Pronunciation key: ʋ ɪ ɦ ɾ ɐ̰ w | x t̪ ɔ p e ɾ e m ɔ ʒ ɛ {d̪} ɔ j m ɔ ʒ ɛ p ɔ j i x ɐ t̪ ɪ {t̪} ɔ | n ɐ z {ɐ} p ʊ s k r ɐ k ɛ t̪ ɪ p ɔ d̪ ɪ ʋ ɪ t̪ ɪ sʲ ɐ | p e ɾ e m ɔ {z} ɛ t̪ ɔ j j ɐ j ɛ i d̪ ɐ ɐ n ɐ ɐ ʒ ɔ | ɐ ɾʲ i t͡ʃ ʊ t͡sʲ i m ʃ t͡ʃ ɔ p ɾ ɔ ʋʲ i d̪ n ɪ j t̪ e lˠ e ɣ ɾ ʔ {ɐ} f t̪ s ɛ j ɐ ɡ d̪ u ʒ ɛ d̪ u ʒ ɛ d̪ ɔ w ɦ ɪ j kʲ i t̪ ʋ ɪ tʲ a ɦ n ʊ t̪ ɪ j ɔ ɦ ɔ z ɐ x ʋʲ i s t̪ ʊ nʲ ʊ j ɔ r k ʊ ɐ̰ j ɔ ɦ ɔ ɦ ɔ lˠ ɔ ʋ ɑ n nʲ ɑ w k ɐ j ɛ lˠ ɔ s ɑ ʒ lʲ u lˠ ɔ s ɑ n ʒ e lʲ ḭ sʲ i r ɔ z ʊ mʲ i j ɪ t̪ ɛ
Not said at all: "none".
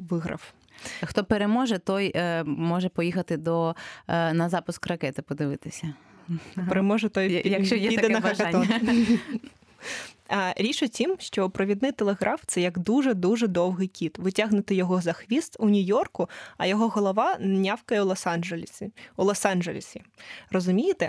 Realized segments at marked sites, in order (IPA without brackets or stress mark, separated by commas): t̪, d̪, ɑ, ʒ, ɑ